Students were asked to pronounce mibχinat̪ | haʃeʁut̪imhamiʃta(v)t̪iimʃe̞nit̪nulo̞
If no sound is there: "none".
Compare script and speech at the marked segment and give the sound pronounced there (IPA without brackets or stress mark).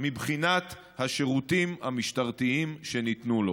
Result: ʁ